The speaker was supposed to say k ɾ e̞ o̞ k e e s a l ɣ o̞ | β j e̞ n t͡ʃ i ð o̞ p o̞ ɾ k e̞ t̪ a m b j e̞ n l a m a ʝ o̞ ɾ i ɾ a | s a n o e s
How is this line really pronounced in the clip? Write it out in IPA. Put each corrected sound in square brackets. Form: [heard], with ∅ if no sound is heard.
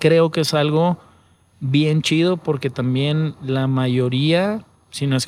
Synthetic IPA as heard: k ɾ e̞ o̞ k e e s a l ɣ o̞ | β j e̞ n t͡ʃ i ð o̞ p o̞ ɾ k e̞ t̪ a m b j e̞ n l a m a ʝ o̞ ɾ i [∅] a | s [i] n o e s